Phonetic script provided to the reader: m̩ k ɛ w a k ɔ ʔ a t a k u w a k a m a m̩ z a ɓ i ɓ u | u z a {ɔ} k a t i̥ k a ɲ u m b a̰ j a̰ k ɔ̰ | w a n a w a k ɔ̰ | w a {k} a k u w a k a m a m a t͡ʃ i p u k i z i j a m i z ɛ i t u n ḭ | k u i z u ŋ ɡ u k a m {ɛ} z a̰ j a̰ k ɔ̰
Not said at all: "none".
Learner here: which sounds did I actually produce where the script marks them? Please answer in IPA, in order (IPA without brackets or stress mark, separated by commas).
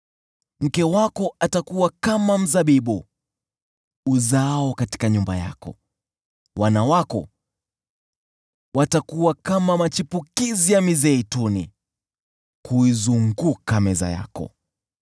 ɔ, t, ɛ